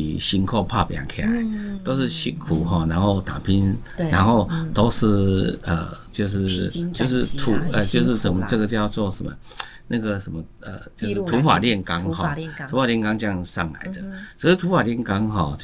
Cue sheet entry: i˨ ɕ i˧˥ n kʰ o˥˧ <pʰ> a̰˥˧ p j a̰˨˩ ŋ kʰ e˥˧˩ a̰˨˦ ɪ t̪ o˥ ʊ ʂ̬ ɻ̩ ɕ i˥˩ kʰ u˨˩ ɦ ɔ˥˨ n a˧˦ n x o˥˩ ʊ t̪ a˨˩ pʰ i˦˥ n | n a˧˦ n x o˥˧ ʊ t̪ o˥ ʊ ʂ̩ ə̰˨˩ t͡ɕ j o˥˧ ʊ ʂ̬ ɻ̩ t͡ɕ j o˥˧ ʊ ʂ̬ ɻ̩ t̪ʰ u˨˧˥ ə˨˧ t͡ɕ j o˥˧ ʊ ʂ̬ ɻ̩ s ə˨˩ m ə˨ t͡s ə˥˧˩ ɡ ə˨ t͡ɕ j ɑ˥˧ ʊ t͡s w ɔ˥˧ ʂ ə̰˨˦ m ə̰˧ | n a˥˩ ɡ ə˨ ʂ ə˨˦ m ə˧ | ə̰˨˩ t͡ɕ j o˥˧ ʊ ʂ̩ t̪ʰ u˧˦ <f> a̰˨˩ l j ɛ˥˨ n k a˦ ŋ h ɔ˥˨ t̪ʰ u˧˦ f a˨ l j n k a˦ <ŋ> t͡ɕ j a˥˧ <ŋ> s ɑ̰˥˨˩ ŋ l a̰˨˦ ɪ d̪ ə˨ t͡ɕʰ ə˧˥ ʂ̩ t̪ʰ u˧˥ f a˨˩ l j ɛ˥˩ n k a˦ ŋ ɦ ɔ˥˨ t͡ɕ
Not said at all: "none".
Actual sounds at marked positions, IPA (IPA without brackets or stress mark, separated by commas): pʰ, f, ŋ, ŋ